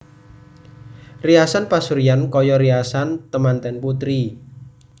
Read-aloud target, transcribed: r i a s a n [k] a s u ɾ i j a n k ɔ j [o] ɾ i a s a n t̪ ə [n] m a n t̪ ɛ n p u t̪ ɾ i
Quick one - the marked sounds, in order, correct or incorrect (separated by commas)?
incorrect, incorrect, incorrect